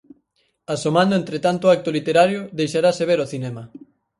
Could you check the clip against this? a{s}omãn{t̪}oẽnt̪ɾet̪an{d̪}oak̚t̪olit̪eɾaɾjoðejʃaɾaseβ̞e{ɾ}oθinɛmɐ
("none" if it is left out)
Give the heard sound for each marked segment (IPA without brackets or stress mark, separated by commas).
s, d̪, t̪, ɾ